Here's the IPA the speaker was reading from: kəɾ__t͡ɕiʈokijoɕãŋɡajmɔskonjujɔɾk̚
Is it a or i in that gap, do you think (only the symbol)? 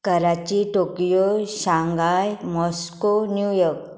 a